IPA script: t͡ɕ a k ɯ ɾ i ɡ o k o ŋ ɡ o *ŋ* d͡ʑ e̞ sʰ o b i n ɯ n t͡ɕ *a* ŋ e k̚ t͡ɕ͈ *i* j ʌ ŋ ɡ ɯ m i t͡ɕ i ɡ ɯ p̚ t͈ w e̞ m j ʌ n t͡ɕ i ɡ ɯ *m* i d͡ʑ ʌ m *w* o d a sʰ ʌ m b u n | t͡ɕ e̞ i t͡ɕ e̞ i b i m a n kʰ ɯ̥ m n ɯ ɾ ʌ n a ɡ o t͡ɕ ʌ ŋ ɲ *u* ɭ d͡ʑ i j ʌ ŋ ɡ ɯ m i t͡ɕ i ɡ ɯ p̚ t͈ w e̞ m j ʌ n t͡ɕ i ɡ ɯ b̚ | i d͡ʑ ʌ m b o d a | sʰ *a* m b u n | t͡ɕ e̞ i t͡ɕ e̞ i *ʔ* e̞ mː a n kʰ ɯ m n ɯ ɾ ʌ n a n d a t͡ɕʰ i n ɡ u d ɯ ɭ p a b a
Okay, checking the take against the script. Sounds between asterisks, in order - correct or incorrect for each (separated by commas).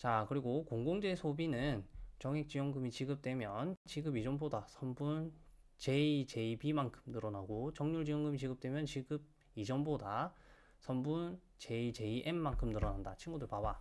correct, incorrect, correct, incorrect, incorrect, correct, incorrect, correct